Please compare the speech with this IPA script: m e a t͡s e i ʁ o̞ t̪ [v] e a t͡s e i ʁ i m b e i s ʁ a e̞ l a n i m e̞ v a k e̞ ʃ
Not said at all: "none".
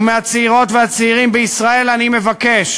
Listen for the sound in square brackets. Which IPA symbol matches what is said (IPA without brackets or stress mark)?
v